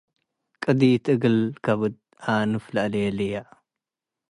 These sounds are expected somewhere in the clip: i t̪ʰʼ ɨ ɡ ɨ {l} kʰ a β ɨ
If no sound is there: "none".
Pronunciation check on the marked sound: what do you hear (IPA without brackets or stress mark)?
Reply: l